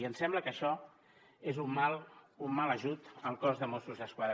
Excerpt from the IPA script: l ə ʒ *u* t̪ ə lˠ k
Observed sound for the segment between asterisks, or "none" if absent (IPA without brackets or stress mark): u